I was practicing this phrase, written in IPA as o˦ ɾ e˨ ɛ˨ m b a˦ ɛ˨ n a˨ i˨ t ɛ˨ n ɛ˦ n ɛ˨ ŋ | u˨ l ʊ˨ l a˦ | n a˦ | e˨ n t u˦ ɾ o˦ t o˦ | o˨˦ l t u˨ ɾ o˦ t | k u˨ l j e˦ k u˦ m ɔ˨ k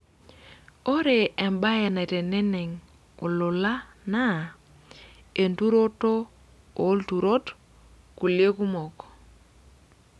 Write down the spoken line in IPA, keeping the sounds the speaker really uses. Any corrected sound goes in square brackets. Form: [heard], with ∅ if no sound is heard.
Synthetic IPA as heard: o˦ ɾ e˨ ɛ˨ m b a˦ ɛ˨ n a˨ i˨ t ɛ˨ n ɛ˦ n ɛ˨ ŋ | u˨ l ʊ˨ l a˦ | n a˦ | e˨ n t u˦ ɾ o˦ t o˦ | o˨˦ l t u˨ ɾ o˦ t | k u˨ l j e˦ k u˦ m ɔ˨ k